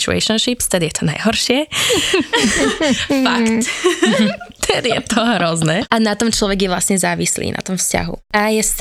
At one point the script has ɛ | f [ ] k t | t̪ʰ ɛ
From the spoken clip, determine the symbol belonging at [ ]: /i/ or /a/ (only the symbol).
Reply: a